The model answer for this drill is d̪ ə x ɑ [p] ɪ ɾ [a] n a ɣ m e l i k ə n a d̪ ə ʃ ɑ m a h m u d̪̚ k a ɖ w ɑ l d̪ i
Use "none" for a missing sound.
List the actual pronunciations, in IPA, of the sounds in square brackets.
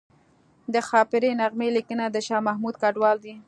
p, e

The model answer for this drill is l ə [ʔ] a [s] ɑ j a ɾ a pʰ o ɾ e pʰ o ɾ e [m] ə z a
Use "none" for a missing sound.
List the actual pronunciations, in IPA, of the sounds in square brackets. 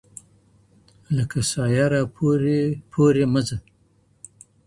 k, s, m

